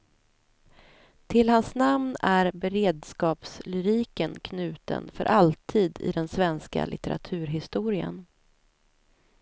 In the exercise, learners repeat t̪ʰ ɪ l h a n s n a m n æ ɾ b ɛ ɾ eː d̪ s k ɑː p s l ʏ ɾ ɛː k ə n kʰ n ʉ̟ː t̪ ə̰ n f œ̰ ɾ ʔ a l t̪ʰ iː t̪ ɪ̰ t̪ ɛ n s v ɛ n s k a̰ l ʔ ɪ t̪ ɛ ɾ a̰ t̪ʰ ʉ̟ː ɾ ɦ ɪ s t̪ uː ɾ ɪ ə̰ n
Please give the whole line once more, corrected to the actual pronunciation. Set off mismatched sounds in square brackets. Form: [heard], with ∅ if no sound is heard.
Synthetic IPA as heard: t̪ʰ ɪ l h a n s n a m n æ ɾ b ɛ ɾ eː d̪ s k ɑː p s l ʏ ɾ [iː] k ə n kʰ n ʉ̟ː t̪ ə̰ n f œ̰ ɾ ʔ a l t̪ʰ iː [d̪] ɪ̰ [d̪] ɛ n s v ɛ n s k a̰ l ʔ ɪ t̪ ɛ ɾ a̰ t̪ʰ ʉ̟ː ɾ ɦ ɪ s t̪ uː ɾ ɪ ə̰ n